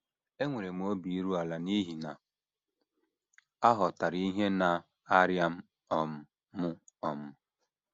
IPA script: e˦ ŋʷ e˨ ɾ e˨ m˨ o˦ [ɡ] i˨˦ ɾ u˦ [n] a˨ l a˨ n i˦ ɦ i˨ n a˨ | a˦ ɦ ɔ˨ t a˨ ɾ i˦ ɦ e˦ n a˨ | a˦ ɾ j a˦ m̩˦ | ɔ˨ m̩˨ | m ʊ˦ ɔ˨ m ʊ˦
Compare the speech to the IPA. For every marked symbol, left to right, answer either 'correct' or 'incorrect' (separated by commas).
incorrect, incorrect